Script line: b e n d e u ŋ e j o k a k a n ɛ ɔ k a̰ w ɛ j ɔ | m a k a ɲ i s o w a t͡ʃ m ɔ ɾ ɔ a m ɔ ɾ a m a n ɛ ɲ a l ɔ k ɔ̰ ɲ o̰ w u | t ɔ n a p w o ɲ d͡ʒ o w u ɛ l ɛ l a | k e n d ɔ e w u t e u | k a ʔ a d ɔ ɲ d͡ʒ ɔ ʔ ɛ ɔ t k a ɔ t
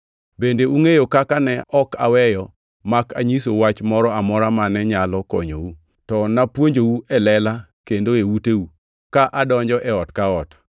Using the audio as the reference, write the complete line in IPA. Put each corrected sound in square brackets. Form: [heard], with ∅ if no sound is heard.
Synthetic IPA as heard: b e n d e u ŋ e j o k a k a n ɛ ɔ k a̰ w ɛ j ɔ | m a k a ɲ i s o w a t͡ʃ m ɔ ɾ ɔ a m ɔ ɾ a m a n ɛ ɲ a l ɔ k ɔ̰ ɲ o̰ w u | t ɔ n a p w o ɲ d͡ʒ o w u ɛ l ɛ l a | k e n d [o] e w u t e u | k a ʔ a d ɔ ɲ d͡ʒ ɔ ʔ ɛ ɔ t k a ɔ t